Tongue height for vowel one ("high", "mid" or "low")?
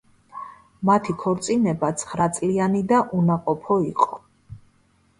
low